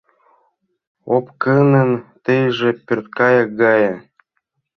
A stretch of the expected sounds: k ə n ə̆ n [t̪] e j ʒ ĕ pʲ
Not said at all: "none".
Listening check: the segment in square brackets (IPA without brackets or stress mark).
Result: t̪